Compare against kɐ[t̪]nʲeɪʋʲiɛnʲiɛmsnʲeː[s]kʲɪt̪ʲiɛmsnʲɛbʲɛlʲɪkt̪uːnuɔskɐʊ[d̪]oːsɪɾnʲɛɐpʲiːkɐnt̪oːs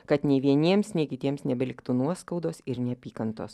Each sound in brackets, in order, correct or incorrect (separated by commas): correct, incorrect, correct